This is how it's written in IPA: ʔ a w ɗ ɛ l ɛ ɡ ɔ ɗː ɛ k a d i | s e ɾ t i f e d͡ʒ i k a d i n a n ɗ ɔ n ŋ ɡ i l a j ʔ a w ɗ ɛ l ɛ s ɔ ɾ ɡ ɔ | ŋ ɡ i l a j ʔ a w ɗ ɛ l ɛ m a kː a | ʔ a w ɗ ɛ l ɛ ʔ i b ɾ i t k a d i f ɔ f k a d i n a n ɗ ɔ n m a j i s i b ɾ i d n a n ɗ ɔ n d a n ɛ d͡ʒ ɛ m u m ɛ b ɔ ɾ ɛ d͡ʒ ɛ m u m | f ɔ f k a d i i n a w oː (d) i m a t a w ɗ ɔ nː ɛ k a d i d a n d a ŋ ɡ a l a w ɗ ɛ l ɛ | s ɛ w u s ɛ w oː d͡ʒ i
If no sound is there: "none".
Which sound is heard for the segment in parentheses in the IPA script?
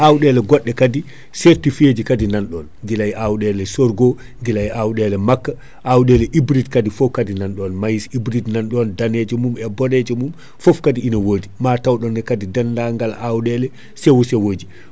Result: d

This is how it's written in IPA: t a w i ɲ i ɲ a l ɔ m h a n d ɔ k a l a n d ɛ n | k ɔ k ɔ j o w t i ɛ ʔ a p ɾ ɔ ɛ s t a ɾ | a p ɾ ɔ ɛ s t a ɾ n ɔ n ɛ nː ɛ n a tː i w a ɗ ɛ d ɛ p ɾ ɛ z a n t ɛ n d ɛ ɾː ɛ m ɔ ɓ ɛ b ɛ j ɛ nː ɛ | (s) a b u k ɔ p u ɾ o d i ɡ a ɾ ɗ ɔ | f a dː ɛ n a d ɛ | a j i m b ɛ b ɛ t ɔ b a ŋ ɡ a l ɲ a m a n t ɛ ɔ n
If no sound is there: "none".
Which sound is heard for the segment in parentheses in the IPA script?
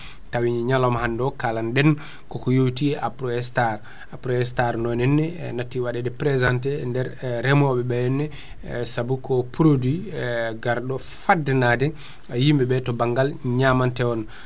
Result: s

